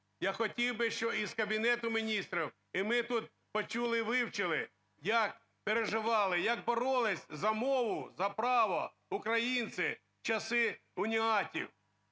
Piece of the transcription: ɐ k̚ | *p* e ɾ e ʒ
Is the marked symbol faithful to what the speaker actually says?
yes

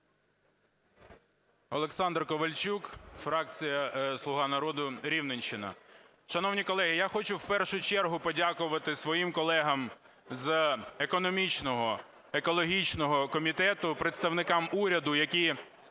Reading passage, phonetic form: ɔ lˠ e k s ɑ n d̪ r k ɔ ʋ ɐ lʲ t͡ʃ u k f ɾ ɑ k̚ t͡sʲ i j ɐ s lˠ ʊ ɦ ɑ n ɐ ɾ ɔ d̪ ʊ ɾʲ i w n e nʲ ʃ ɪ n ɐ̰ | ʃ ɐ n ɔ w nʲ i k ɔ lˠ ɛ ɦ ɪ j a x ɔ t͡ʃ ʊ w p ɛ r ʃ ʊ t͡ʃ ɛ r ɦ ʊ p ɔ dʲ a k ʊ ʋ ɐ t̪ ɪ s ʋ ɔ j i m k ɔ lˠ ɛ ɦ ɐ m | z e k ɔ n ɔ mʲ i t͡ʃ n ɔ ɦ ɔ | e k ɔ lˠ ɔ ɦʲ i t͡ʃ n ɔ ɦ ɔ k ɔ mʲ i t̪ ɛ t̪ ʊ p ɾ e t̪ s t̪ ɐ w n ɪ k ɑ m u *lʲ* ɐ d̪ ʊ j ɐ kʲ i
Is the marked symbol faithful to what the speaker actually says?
no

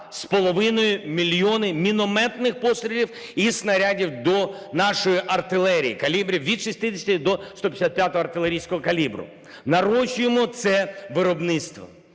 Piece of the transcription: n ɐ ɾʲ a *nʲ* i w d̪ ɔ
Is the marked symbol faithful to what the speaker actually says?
no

